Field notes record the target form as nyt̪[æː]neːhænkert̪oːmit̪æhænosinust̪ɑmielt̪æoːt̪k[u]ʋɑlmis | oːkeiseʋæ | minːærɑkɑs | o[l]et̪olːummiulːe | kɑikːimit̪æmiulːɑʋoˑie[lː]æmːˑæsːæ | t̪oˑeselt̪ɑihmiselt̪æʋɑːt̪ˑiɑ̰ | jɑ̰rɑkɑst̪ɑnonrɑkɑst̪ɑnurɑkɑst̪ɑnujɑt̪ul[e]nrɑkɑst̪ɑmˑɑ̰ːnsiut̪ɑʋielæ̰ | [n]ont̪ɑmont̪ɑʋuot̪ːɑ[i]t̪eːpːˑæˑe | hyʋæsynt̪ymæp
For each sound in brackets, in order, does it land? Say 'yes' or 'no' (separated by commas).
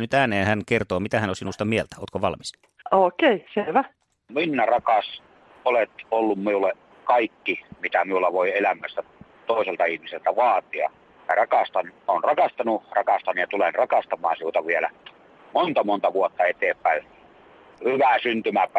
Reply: yes, no, yes, no, yes, no, no